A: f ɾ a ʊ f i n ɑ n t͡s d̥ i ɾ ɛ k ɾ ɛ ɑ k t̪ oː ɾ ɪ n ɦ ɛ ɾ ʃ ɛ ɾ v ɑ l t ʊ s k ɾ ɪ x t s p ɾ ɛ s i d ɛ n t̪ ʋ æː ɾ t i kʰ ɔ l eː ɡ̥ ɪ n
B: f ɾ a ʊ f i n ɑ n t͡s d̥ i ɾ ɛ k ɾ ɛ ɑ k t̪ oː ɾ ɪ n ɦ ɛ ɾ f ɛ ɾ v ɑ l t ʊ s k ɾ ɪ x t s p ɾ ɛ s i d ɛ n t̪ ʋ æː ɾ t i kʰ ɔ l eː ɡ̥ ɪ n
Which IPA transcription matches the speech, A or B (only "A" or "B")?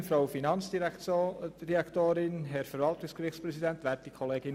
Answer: B